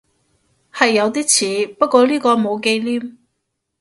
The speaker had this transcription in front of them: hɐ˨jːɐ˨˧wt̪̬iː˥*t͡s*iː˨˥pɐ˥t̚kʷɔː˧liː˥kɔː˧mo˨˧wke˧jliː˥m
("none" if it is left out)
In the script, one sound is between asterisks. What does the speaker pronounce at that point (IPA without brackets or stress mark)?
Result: t͡sʰ